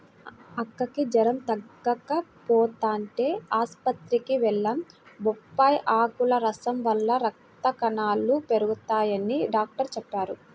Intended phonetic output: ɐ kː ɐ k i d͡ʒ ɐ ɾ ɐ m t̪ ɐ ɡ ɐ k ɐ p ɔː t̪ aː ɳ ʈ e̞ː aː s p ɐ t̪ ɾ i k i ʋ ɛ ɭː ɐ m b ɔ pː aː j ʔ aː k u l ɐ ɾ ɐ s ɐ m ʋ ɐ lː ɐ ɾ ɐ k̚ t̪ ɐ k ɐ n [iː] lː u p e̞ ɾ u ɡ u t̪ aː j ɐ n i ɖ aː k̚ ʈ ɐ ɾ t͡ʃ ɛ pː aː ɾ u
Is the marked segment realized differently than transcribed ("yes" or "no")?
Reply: yes